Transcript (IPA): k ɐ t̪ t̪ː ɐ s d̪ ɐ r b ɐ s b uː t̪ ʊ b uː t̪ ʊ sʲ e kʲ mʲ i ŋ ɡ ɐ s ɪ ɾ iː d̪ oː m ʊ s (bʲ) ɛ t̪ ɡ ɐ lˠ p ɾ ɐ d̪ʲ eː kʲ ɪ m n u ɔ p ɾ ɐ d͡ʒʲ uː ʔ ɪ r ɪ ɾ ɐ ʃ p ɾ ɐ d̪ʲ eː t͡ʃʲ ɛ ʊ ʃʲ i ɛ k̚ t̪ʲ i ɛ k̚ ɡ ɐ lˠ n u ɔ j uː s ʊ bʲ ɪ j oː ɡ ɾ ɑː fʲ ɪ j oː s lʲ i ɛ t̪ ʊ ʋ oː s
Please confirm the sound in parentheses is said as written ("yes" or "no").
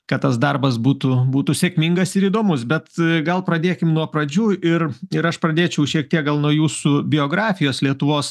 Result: yes